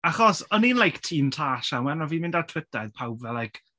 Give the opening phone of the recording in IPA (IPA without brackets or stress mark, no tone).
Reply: a